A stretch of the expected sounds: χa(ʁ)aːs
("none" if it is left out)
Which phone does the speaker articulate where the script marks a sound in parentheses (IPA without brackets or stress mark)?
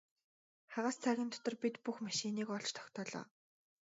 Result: ʁ